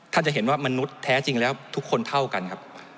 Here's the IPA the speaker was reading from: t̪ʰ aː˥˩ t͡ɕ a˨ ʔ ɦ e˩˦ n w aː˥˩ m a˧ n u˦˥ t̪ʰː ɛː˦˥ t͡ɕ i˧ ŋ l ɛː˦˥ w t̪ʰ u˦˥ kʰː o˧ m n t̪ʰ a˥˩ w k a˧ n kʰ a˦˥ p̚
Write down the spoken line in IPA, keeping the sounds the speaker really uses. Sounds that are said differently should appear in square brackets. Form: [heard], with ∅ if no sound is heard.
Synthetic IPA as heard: t̪ʰ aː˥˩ t͡ɕ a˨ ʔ ɦ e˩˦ n w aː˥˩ m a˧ n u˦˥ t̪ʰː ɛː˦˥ t͡ɕ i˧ ŋ l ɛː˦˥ w t̪ʰ u˦˥ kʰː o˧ [∅] n t̪ʰ a˥˩ w k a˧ n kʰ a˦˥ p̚